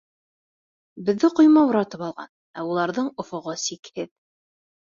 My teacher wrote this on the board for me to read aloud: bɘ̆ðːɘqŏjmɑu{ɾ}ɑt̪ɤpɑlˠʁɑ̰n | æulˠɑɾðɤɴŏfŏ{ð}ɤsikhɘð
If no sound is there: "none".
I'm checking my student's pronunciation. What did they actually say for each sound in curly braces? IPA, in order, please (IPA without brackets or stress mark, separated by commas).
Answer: ɾ, ʁ